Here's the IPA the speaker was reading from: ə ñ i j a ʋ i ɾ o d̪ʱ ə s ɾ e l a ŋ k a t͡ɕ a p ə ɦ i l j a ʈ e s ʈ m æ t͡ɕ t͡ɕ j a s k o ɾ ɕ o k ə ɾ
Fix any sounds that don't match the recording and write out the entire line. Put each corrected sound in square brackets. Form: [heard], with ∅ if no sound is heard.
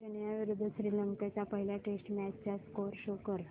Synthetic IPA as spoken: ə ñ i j a ʋ i ɾ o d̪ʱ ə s ɾ [i] l [ə] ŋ k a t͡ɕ a p ə ɦ i l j a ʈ e s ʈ m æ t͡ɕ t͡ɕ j a s k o ɾ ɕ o k ə ɾ